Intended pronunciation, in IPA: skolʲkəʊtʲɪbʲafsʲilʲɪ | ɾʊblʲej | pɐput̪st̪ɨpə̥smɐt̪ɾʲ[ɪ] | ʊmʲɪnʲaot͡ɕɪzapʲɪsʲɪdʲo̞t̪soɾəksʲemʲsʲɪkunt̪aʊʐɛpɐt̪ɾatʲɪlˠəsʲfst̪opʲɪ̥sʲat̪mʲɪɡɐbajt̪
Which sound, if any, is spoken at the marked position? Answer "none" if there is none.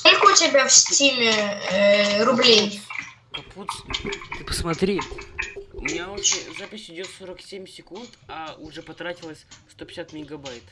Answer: i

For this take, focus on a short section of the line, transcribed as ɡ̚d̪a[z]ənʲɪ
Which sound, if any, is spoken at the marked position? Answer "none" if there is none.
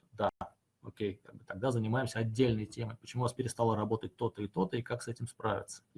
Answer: z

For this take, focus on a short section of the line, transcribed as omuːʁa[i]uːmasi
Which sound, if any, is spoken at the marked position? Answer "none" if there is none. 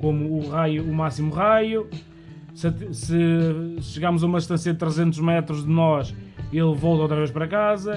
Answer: j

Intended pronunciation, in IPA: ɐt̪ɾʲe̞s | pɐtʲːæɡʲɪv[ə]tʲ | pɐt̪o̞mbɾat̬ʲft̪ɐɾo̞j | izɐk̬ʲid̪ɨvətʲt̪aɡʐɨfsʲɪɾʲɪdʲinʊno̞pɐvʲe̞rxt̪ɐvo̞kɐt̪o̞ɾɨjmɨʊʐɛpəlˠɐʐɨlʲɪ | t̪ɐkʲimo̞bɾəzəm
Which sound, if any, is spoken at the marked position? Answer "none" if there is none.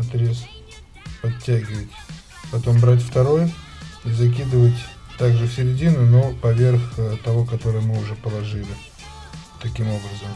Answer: ə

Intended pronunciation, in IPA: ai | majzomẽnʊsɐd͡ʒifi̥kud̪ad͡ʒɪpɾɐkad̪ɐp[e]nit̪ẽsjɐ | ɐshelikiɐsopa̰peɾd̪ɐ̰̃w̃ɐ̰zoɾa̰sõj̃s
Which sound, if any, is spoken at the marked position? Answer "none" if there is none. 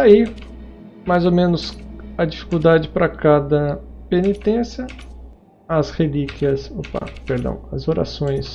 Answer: e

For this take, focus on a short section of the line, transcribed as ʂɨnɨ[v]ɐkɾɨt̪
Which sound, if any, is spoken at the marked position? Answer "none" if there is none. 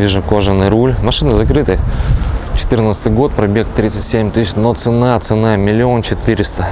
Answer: z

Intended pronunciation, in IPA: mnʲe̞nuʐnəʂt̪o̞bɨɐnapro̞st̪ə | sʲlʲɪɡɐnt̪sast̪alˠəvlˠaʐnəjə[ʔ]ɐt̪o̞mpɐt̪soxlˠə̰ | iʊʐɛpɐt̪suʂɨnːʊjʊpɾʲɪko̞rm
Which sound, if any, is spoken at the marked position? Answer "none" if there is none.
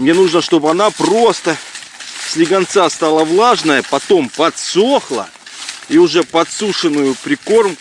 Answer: p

